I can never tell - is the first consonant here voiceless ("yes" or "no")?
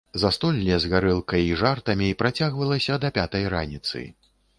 no